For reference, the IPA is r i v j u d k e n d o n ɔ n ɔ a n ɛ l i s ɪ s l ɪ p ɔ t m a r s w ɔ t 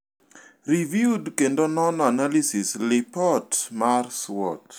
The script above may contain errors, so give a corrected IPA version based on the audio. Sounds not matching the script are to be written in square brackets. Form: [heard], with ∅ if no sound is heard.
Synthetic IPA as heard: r i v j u d k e n d o n ɔ n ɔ a n [a] l i s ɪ s l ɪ p ɔ t m a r s w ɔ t